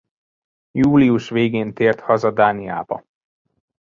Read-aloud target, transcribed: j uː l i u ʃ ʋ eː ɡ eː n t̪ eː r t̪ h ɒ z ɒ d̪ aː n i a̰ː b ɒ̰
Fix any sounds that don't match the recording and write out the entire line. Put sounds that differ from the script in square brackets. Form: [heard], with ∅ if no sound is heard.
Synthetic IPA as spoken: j uː l i u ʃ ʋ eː ɡ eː n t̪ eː r t̪ h ɒ z ɒ d̪ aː n i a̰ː b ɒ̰